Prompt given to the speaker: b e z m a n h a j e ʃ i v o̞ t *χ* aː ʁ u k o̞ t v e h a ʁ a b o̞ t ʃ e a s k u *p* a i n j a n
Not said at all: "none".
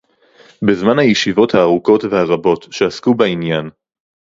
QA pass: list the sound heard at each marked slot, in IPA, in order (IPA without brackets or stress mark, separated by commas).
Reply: h, b